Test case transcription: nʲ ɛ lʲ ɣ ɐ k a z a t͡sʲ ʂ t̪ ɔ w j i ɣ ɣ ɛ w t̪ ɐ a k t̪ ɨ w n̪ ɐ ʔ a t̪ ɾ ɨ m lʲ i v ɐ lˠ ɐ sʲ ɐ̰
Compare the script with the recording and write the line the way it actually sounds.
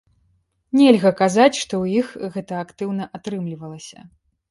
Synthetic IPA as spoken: nʲ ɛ lʲ ɣ ɐ k a z a t͡sʲ ʂ t̪ ɔ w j i x ɣ ɛ t̪ ɐ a k t̪ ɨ w n̪ ɐ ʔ a t̪ ɾ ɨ m lʲ i v ɐ lˠ ɐ sʲ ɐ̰